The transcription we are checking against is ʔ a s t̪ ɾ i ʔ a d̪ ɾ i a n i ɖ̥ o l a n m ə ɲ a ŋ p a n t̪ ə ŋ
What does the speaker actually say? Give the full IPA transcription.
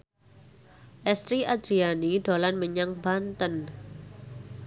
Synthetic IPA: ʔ ɛ s t̪ ɾ i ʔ a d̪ ɾ i a n i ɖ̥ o l a n m ə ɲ a ŋ b a n t̪ ə n